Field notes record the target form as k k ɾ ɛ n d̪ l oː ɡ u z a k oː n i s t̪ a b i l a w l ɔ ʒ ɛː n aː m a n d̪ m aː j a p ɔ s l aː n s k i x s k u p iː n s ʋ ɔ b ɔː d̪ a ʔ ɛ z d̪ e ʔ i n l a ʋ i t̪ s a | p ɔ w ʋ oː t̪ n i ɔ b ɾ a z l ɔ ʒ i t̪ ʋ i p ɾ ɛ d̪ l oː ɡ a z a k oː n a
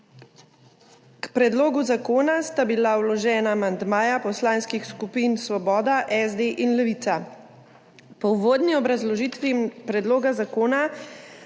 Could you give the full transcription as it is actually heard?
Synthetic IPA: k p ɾ ɛ d̪ l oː ɡ u z a k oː n a s t̪ a b i l a w l ɔ ʒ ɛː n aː m a n d̪ m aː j a p ɔ s l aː n s k i x s k u p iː n s ʋ ɔ b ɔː d̪ a ʔ ɛ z d̪ e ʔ i n l ɛ ʋ i t̪ s a | p ɔ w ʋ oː d̪ n i ɔ b ɾ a z l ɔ ʒ i t̪ ʋ i p ɾ ɛ d̪ l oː ɡ a z a k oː n a